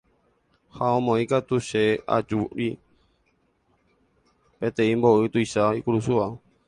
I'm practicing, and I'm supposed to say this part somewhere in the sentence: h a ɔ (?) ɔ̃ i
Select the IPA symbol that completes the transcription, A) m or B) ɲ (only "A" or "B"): A